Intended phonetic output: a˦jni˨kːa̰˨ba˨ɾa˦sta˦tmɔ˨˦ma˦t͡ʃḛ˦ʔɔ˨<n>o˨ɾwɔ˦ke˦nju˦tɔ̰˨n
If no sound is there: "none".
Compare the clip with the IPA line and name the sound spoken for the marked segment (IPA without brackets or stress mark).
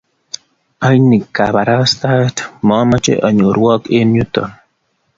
ɲ